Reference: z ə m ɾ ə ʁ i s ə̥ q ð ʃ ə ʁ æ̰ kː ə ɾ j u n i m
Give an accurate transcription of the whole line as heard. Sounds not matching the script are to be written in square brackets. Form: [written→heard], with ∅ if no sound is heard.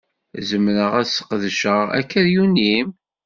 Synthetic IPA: z ə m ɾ ə ʁ [i→æ] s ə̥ q ð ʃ ə ʁ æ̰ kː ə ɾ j u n i m

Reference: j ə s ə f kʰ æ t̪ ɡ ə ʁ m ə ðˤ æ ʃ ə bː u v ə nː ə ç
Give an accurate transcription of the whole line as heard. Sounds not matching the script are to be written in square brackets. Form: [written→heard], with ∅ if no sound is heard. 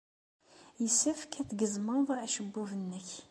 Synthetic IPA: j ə s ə f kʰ æ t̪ ɡ ə [ʁ→z] m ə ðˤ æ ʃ ə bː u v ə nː ə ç

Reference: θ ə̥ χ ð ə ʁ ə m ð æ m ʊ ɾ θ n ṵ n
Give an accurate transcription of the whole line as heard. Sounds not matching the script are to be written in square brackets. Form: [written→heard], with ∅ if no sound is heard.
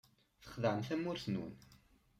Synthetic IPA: θ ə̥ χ ð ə [ʁ→ʕ] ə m [ð→θ] æ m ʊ ɾ θ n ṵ n

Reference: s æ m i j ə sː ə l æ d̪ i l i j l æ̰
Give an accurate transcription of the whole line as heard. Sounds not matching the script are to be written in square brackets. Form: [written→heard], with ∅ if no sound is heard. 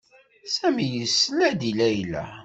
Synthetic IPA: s æ m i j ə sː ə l æ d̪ i l [i→æ] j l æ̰

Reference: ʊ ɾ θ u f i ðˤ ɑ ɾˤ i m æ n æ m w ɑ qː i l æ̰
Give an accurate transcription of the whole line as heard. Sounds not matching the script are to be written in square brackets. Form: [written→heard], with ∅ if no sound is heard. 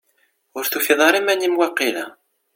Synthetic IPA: ʊ ɾ θ u f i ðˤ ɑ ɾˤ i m æ n [æ→i] m w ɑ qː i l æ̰

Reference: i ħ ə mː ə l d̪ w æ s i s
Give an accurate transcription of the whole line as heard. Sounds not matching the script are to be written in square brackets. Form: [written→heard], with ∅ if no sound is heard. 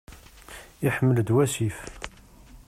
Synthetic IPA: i ħ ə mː ə l d̪ w æ s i [s→f]

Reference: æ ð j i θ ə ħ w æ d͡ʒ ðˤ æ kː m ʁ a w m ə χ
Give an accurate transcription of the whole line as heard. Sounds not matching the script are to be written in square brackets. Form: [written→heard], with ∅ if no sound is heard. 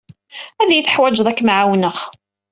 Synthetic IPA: æ ð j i θ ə ħ w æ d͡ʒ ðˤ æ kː m [ʁ→ʕ] a w [m→n] ə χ

